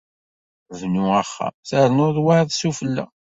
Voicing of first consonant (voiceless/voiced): voiced